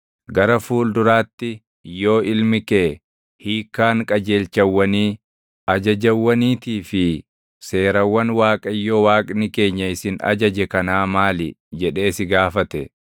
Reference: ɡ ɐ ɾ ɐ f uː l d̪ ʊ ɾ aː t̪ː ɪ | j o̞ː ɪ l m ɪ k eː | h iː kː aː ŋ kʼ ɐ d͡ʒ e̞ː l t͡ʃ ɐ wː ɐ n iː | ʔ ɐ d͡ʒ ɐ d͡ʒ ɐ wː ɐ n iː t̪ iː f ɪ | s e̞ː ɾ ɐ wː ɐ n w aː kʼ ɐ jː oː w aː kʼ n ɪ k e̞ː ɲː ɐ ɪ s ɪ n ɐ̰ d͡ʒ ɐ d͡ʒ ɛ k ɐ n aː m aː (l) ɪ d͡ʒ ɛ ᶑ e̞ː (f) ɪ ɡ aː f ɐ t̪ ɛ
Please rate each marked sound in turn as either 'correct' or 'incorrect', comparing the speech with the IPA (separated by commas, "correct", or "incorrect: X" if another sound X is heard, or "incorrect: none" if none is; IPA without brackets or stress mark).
correct, incorrect: s